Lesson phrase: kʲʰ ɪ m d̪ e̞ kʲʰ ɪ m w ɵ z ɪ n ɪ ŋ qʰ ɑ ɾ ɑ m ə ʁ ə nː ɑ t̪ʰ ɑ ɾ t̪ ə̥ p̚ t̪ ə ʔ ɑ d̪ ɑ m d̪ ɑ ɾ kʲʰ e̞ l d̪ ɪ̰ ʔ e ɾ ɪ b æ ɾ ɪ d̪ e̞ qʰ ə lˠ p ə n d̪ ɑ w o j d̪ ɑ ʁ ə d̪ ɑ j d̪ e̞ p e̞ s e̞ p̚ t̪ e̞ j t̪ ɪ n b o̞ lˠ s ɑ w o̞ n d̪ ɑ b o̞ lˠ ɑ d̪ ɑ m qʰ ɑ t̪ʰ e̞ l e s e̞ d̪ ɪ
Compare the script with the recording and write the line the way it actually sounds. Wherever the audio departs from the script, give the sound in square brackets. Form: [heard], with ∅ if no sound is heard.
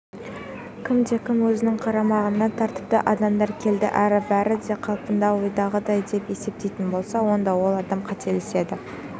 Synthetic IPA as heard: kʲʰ ɪ m d̪ e̞ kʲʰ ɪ m w ɵ z ɪ n ɪ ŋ qʰ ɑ ɾ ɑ m [ɑ] ʁ ə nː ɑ t̪ʰ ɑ ɾ t̪ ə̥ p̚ t̪ ə ʔ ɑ d̪ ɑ m d̪ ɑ ɾ kʲʰ e̞ l d̪ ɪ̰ ʔ [æ] ɾ ɪ b æ ɾ ɪ d̪ e̞ qʰ [ɑ] lˠ p ə n d̪ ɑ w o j d̪ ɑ ʁ ə d̪ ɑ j d̪ e̞ p e̞ s e̞ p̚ t̪ e̞ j t̪ ɪ n b o̞ lˠ s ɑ w o̞ n d̪ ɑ [w] o̞ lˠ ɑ d̪ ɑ m qʰ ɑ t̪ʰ e̞ l e s e̞ d̪ ɪ